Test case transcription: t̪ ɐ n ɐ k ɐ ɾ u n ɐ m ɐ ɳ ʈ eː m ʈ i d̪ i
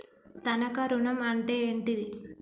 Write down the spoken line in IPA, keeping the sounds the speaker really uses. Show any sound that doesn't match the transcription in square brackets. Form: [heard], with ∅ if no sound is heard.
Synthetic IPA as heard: t̪ ɐ n ɐ k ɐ ɾ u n ɐ m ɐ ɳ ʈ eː [ɳ] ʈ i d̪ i